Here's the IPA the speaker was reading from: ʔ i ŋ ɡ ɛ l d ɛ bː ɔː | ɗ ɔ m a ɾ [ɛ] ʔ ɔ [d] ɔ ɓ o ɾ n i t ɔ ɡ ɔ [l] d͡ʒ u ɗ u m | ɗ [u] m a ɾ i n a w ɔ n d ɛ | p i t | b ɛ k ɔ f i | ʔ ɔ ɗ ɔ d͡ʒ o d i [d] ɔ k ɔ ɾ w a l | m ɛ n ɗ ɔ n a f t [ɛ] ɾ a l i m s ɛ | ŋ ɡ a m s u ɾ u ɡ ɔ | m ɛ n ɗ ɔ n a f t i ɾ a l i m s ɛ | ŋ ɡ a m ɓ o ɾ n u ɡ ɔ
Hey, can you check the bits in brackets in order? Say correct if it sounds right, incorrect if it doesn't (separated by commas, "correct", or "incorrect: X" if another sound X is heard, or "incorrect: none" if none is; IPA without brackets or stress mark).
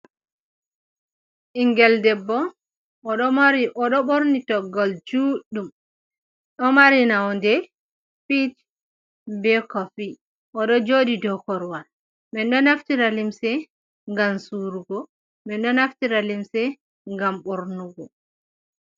incorrect: i, incorrect: ɗ, correct, incorrect: ɔ, correct, incorrect: i